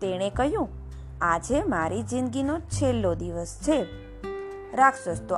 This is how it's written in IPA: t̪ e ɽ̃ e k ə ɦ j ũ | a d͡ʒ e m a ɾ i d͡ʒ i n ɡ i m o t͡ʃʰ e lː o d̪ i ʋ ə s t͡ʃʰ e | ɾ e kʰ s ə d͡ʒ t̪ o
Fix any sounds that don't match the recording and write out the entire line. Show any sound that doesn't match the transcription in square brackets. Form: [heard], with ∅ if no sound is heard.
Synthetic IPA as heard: t̪ e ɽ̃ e k ə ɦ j ũ | a d͡ʒ e m a ɾ i d͡ʒ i n ɡ i [n] o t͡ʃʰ e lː o d̪ i ʋ ə s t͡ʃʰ e | ɾ [a] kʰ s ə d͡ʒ t̪ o